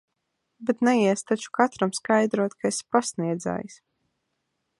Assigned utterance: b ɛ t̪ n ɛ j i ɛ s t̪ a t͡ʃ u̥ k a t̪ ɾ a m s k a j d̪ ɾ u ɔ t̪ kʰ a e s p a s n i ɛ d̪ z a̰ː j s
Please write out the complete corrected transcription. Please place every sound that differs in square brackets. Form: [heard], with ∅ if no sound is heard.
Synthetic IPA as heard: b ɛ t̪ n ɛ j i ɛ s t̪ a t͡ʃ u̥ k a t̪ ɾ a m s k a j d̪ ɾ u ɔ t̪ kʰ a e s p a s n i ɛ d̪ z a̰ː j s